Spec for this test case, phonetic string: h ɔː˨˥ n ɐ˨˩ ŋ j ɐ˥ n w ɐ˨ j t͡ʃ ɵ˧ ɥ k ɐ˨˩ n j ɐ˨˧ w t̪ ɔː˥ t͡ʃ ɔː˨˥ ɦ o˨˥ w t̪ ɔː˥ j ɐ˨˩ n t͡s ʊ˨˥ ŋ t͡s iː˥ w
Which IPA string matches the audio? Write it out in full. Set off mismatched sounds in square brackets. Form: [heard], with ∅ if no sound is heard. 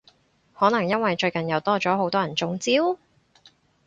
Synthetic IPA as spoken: h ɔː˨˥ n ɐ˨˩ ŋ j ɐ˥ n w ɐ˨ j t͡ʃ ɵ˧ ɥ k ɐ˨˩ n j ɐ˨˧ w t̪ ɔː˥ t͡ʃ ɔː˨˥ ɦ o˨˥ w t̪ ɔː˥ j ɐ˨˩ n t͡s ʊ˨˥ ŋ t͡s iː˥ w